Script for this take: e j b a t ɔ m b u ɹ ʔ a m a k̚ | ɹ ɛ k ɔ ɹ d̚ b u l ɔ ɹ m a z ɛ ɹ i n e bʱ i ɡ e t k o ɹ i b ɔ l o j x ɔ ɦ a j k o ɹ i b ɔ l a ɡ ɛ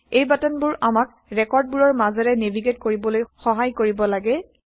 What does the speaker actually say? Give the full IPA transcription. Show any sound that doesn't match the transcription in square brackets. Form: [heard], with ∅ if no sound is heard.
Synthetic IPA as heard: e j b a t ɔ [n] b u ɹ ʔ a m a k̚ | ɹ ɛ k ɔ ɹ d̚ b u [ɹ] ɔ ɹ m a z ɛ ɹ [ɛ] n e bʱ i ɡ e t k o ɹ i b ɔ l o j x ɔ ɦ a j k o ɹ i b ɔ l a ɡ ɛ